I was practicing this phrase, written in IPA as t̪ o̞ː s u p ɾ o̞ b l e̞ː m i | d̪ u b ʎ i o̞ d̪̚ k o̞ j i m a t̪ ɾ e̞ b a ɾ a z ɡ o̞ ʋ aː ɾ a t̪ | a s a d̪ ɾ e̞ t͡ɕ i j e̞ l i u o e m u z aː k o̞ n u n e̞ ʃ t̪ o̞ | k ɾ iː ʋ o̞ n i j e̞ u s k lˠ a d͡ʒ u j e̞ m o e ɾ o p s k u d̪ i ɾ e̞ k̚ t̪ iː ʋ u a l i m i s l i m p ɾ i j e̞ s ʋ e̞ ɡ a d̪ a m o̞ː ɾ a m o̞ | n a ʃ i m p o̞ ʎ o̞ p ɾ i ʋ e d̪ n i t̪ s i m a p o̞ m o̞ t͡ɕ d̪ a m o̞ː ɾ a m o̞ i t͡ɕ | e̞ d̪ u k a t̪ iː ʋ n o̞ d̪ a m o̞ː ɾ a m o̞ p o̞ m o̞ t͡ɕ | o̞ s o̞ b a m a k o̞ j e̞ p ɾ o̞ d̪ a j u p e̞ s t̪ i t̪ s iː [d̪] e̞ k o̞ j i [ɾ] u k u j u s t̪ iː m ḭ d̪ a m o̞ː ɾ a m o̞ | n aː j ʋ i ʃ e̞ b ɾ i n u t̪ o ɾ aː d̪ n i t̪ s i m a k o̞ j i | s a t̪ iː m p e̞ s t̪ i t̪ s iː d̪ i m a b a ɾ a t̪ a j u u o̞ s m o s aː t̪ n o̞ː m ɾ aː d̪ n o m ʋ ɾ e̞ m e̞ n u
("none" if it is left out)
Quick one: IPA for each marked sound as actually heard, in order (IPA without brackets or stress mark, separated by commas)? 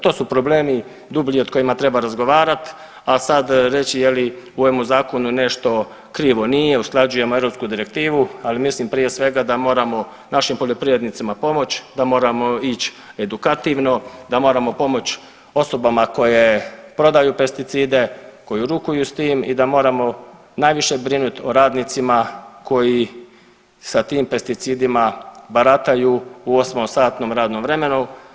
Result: d̪, ɾ